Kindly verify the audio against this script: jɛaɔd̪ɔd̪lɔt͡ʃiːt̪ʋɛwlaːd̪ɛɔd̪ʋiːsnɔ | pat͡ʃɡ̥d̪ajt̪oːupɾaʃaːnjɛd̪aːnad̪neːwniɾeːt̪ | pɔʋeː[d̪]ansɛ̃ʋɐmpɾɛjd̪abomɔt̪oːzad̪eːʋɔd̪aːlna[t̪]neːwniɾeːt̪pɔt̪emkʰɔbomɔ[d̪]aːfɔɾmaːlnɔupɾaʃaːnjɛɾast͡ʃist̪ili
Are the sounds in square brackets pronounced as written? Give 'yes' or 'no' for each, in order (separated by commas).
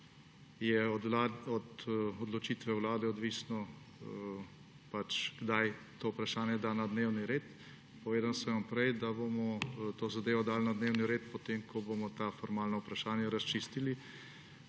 yes, no, no